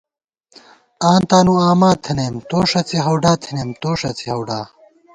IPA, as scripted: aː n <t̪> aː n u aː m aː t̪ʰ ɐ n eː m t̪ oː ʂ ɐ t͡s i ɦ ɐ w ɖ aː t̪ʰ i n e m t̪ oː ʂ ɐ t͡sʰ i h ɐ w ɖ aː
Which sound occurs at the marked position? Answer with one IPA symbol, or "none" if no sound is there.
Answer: t̪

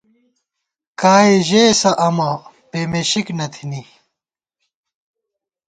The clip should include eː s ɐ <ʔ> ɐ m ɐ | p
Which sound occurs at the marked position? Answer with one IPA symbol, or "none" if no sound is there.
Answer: ʔ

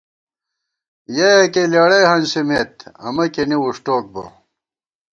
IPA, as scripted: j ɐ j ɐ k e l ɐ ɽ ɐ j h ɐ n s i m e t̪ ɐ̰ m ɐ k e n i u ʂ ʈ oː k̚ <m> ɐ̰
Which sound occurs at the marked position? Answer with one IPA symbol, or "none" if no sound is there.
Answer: b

